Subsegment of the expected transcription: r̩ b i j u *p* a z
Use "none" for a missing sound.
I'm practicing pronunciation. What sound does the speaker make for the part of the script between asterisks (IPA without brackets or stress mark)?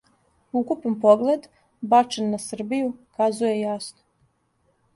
k